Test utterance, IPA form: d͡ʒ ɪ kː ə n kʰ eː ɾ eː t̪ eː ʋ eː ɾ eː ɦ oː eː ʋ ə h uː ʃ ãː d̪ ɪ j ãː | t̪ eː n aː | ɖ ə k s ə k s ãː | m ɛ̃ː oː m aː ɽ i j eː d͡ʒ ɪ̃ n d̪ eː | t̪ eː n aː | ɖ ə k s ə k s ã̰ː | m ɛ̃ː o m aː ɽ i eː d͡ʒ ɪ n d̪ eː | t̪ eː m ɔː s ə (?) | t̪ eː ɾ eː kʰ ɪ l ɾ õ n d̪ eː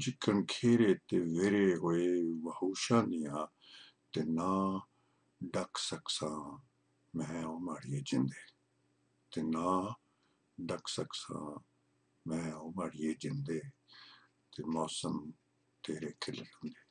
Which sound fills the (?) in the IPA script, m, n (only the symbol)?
m